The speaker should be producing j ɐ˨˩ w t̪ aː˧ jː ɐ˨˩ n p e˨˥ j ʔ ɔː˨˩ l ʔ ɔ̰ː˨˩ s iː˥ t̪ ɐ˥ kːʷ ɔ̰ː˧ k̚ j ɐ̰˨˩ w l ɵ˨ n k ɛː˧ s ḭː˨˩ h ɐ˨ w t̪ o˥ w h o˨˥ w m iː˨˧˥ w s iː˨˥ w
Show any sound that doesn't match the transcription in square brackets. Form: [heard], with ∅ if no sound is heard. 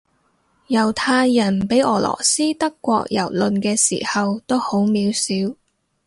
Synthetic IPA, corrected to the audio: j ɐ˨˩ w [t̪ʰ] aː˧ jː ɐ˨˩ n p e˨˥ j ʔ ɔː˨˩ l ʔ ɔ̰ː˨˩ s iː˥ t̪ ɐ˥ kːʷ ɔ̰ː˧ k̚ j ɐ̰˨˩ w l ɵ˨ n k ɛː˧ s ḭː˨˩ h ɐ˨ w t̪ o˥ w h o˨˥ w m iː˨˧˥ w s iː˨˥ w

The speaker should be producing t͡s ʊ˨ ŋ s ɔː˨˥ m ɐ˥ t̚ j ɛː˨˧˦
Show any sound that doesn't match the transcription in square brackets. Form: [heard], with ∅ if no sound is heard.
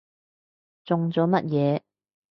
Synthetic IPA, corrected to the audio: t͡s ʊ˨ ŋ [t͡s] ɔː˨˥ m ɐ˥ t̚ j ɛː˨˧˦

